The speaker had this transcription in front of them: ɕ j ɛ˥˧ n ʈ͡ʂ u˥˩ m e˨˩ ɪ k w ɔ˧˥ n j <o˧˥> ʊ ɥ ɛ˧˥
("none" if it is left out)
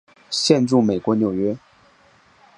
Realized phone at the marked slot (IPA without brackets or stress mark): o˨˩